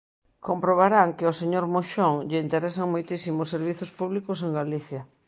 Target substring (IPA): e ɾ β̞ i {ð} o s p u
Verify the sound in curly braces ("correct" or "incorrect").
incorrect